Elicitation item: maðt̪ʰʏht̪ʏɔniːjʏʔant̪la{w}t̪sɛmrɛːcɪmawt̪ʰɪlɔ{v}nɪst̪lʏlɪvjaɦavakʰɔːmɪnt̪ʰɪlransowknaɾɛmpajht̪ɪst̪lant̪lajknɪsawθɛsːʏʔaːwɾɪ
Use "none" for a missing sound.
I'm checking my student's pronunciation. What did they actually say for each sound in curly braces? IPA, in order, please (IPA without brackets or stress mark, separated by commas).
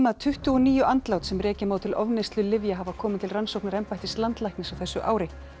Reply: w, v